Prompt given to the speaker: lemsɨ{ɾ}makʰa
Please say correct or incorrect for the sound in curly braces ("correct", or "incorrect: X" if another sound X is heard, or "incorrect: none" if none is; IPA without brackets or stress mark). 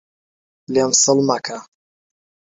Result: incorrect: l